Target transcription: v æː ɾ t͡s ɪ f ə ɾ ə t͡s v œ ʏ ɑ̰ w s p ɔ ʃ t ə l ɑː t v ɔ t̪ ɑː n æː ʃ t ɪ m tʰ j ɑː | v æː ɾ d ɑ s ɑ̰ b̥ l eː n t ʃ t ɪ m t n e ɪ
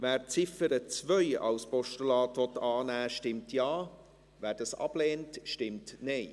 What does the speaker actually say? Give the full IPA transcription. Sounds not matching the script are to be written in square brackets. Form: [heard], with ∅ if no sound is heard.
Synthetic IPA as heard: v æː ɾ t͡s ɪ f ə ɾ ə t͡s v œ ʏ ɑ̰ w s p ɔ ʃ t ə l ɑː t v ɔ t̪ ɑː n æː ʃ t ɪ m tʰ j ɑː | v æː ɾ d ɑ s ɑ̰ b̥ l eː n t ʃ t ɪ m t n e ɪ